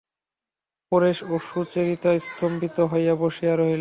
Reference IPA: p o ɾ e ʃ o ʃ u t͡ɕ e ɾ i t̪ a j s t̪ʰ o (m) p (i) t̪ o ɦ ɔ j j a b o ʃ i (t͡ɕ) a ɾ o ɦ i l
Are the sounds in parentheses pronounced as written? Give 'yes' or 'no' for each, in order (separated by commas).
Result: yes, yes, no